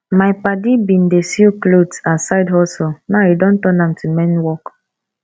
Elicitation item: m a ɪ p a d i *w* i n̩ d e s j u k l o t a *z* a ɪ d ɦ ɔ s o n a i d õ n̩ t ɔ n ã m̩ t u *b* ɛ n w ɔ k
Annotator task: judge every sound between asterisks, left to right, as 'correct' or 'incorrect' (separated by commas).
incorrect, incorrect, incorrect